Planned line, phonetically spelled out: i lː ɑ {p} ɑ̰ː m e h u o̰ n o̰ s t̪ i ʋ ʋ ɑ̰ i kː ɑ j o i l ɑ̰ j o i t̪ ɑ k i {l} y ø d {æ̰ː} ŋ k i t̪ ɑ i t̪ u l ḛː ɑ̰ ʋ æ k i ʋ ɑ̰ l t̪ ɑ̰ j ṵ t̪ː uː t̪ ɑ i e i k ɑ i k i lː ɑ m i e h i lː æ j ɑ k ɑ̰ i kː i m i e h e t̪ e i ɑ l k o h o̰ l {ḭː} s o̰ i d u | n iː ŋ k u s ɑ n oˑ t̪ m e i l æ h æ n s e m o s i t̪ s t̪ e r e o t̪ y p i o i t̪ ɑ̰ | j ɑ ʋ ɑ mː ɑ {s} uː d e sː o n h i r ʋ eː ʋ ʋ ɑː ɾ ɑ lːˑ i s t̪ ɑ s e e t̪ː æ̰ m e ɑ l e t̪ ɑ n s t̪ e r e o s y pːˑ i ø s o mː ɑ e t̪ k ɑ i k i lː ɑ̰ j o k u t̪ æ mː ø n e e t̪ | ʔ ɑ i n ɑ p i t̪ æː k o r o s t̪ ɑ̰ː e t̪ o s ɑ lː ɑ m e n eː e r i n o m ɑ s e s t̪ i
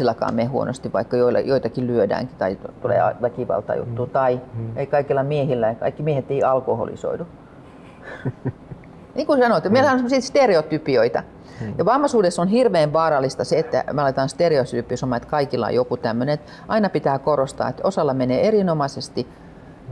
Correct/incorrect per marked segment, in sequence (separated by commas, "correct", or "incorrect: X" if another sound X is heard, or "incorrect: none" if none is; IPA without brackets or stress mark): incorrect: k, correct, correct, incorrect: ḭ, correct